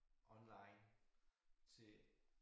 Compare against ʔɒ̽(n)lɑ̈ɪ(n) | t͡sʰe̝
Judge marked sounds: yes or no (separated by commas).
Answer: yes, yes